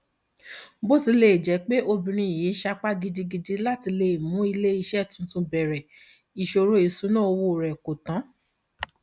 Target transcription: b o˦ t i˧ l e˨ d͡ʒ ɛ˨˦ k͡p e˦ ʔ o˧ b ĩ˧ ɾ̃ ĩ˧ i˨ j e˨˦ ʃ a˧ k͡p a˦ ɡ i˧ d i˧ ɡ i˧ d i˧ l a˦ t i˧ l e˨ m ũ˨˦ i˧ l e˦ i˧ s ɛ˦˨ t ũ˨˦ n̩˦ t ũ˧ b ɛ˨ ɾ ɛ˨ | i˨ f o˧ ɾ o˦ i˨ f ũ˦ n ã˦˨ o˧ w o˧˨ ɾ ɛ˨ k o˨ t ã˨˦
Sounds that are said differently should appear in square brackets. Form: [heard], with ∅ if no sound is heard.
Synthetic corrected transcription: b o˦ t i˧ l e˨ d͡ʒ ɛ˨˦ k͡p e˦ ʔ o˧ b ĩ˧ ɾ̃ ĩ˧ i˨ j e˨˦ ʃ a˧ k͡p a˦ ɡ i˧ d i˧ ɡ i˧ d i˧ l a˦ t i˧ l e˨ m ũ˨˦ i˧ l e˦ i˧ [ʃ] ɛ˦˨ t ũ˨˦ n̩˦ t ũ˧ b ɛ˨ ɾ ɛ˨ | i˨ [ʃ] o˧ ɾ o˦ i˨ [s] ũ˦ n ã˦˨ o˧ w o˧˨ ɾ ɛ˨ k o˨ t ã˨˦